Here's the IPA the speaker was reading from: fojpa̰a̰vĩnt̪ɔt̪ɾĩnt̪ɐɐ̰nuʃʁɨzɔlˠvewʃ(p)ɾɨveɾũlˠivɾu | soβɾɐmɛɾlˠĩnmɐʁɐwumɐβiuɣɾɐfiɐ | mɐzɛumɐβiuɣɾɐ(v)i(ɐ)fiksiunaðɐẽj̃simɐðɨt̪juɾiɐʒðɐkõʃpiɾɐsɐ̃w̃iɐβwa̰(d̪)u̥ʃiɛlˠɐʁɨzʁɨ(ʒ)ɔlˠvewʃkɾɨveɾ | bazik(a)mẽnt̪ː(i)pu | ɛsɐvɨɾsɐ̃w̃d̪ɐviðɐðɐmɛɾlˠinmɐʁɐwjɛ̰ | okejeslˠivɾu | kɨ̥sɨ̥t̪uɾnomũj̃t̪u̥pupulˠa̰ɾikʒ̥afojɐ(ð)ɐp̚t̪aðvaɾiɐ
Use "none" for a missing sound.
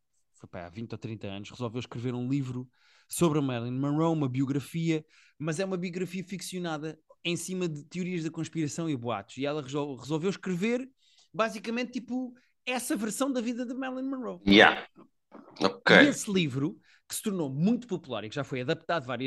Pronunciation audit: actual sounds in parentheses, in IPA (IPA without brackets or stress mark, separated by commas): k, f, ɐ, t̪, z, ɐ, i, ð